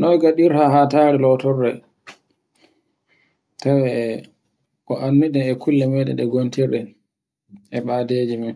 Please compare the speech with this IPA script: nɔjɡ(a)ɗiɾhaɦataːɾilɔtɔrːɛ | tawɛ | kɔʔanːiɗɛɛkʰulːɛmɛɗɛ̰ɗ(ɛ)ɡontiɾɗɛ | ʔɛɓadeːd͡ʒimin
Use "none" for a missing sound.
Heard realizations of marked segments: a, ɛ

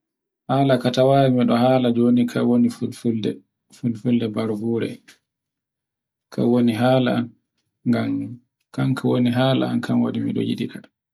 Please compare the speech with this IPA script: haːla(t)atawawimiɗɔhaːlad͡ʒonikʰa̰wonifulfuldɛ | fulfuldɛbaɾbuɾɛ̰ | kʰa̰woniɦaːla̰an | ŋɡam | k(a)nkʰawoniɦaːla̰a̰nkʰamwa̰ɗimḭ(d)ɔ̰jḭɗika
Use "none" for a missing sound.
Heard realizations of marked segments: k, a, ɗ

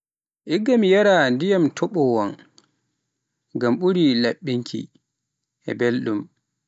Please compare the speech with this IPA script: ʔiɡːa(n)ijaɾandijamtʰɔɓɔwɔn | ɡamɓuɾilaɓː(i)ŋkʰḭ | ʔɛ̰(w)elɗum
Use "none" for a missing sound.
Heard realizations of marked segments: m, i, b

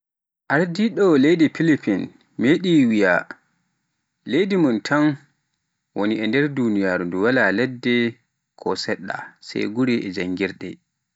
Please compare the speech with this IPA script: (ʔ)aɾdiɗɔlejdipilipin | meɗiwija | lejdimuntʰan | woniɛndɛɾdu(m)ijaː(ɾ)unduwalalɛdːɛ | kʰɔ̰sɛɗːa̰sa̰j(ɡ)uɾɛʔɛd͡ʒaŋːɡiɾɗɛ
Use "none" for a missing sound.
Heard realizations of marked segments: ʔ, n, ɾ, ɡ

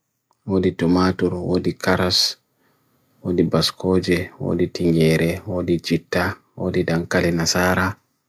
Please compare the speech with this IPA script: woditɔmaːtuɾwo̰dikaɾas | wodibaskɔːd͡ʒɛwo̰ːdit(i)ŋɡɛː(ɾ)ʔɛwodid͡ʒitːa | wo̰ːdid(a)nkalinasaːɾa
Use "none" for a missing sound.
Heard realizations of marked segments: i, ɾ, a

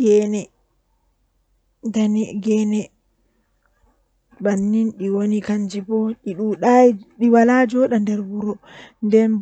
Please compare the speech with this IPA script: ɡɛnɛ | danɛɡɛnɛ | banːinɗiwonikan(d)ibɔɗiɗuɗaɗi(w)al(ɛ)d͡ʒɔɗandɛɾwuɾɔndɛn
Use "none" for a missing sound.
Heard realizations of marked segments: d͡ʒ, w, a

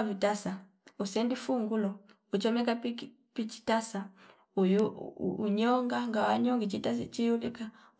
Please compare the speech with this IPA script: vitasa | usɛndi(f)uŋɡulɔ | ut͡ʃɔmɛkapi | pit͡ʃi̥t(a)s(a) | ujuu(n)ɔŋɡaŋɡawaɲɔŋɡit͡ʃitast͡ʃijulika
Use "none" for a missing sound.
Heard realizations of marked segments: f, a, a, ɲ

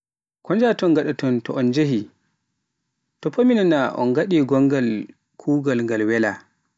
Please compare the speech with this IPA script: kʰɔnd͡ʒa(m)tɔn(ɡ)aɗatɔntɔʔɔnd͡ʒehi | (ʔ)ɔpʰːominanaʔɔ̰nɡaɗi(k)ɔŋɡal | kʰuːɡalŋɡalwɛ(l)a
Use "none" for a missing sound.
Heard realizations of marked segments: none, ɡ, t, ɡ, l

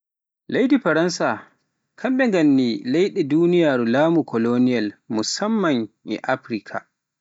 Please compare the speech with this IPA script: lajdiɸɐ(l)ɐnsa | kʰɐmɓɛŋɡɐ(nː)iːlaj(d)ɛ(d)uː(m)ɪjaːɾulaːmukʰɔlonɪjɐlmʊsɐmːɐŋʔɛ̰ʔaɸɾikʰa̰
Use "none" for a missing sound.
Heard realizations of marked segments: ɾ, nː, ɗ, d, n

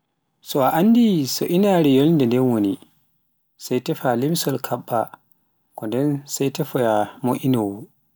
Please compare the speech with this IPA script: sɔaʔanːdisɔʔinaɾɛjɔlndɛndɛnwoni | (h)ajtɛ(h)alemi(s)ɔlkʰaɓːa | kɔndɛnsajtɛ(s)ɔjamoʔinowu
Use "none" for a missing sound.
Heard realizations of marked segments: s, f, s, f

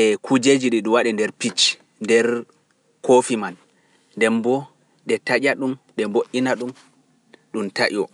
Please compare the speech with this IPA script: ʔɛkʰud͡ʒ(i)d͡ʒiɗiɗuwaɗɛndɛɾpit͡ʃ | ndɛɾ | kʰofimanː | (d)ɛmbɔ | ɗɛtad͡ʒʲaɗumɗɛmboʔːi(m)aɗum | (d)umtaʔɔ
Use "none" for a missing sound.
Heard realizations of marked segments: e, d, n, ɗ

